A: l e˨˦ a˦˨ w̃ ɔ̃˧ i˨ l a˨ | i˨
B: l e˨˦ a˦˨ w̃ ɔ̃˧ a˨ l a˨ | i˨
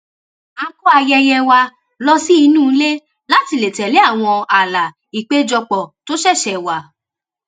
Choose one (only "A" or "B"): B